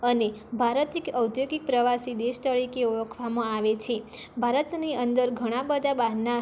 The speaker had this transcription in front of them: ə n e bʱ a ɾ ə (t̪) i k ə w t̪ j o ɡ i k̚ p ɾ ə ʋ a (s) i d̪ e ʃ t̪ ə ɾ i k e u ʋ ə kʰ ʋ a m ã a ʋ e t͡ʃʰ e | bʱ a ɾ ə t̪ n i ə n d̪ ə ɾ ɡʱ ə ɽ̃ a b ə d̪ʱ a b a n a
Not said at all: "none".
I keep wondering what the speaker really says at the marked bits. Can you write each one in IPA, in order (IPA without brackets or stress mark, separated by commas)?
t̪, s